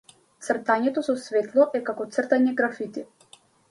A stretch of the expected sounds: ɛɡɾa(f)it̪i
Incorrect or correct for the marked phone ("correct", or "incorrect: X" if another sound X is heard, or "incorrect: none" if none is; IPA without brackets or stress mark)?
correct